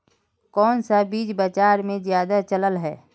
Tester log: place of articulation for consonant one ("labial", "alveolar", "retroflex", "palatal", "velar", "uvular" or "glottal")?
velar